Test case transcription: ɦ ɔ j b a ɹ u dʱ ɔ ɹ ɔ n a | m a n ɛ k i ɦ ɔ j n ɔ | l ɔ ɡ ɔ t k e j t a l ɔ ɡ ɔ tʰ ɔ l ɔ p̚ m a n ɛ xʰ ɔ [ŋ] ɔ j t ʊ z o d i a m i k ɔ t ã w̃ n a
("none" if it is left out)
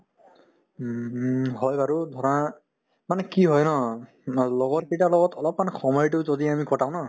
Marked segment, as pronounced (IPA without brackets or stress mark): m